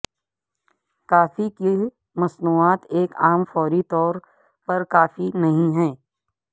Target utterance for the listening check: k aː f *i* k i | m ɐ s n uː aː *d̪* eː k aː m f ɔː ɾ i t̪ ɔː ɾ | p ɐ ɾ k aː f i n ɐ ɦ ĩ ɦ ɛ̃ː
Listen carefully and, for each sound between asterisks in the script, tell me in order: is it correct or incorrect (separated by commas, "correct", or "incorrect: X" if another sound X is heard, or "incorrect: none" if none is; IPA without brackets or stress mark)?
correct, incorrect: t̪